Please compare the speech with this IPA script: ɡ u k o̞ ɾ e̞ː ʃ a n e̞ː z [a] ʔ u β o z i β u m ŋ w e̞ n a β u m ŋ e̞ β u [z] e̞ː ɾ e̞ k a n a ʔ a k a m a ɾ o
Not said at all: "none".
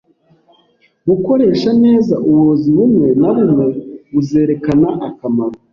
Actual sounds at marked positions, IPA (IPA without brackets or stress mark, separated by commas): a, z